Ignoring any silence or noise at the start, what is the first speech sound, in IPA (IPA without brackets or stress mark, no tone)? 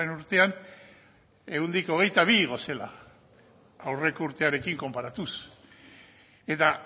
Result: e